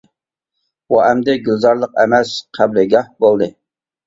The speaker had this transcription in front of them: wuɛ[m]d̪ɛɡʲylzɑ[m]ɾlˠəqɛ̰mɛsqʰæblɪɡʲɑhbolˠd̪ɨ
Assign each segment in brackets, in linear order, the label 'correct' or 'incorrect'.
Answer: correct, incorrect

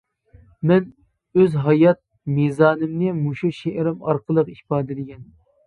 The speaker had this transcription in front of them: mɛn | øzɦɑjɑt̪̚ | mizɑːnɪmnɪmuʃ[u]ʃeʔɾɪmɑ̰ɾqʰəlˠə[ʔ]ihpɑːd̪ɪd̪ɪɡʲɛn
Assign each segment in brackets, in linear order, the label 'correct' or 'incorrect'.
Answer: correct, incorrect

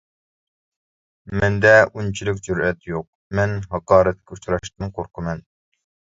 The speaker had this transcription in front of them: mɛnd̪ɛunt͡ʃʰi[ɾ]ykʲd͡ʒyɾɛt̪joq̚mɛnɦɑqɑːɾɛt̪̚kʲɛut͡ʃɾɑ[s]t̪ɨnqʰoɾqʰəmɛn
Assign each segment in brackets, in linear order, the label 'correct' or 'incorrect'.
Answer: incorrect, incorrect

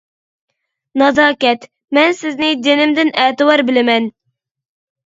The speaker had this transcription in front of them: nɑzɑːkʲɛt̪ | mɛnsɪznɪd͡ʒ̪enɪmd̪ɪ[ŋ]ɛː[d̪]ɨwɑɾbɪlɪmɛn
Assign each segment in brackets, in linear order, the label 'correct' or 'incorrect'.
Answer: incorrect, incorrect

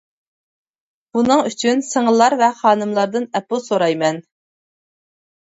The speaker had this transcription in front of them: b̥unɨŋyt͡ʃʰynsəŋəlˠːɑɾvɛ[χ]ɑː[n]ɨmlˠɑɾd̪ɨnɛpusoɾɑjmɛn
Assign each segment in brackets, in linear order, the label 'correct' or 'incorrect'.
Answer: correct, correct

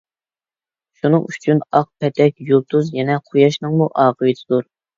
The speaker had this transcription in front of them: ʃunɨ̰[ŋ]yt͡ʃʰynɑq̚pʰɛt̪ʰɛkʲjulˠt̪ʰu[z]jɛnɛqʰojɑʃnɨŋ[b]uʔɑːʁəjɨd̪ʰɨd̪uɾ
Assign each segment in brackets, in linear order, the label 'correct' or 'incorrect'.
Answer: correct, correct, incorrect

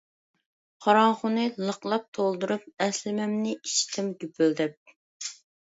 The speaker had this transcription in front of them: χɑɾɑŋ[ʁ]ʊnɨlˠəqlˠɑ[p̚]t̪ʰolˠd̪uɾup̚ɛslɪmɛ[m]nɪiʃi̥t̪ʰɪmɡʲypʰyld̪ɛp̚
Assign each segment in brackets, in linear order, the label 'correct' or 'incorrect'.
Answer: incorrect, correct, correct

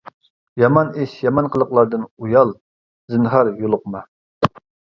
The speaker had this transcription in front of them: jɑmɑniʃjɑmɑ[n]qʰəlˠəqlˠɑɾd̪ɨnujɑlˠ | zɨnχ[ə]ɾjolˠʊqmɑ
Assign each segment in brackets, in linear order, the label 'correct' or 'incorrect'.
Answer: correct, incorrect

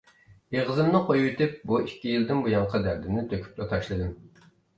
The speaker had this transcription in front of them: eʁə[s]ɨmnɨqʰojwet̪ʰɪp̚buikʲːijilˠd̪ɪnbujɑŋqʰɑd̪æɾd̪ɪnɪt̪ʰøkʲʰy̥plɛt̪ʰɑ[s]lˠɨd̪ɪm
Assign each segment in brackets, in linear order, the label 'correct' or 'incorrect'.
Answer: incorrect, incorrect

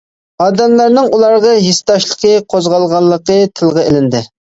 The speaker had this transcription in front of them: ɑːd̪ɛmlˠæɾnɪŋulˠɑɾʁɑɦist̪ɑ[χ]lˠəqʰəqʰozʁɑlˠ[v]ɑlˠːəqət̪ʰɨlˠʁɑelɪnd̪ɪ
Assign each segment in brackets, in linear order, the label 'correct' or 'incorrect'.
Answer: incorrect, incorrect

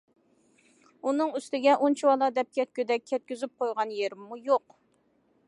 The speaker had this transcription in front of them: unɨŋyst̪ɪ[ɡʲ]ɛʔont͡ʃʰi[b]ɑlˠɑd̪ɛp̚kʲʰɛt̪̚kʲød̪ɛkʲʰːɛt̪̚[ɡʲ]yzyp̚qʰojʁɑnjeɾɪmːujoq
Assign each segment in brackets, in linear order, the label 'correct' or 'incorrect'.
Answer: correct, incorrect, incorrect

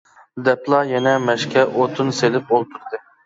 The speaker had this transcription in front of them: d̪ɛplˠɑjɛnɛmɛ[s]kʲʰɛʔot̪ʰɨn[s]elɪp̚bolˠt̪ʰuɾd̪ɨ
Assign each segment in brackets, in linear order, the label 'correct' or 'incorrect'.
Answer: incorrect, correct

